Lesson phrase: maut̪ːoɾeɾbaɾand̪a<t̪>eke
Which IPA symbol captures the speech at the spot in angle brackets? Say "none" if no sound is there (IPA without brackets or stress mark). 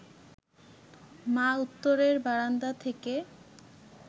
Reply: t̪ʰ